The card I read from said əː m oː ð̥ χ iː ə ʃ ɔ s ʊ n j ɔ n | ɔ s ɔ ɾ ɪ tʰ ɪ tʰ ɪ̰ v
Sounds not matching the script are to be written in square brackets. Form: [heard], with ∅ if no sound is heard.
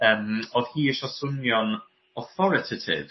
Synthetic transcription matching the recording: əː m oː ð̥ [h] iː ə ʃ ɔ s ʊ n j ɔ n | ɔ [θ] ɔ ɾ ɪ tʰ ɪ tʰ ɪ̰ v